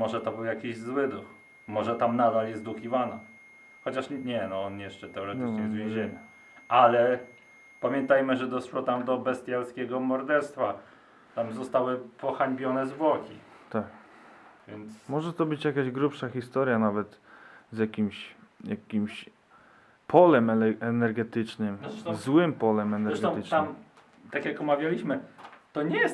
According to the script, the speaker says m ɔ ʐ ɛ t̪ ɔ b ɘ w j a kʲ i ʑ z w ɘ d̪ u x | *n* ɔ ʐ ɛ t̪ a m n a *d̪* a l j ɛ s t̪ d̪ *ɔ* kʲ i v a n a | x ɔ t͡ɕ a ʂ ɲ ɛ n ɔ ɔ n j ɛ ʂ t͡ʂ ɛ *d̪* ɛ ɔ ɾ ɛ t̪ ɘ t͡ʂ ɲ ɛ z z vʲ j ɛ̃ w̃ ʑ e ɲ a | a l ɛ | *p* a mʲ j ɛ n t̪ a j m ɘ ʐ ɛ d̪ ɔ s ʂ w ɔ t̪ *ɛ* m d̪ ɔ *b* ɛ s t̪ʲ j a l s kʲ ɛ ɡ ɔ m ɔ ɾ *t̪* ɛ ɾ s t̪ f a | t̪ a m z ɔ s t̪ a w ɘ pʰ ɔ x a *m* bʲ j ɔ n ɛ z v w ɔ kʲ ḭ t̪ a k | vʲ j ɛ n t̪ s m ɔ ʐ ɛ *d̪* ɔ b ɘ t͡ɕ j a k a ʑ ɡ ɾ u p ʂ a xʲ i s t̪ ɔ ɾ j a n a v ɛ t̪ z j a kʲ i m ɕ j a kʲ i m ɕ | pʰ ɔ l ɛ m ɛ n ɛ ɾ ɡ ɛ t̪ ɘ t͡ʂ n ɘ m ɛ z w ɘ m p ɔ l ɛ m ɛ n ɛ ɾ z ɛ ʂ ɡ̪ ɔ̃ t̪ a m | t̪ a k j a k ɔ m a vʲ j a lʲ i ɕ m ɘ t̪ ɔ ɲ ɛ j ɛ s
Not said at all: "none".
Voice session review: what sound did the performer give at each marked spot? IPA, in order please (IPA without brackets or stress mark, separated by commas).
m, d̪, u, t̪, p, a, b, d̪, ɲ, t̪